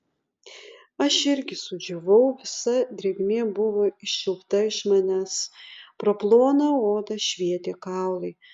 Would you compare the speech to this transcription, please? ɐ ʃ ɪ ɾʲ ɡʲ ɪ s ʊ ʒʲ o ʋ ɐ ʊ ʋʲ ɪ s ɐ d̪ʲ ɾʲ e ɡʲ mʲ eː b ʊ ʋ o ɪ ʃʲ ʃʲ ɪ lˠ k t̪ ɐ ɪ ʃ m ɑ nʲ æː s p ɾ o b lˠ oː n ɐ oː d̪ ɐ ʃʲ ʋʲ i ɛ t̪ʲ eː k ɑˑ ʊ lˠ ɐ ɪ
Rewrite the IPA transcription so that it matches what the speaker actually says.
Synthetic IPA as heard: ɐ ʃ ɪ ɾʲ ɡʲ ɪ s ʊ d͡ʒʲ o ʋ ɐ ʊ ʋʲ ɪ s ɐ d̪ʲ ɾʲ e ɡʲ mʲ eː b ʊ ʋ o ɪ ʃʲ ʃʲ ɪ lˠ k t̪ ɐ ɪ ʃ m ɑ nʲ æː s p ɾ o p lˠ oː n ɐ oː d̪ ɐ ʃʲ ʋʲ i ɛ t̪ʲ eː k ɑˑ ʊ lˠ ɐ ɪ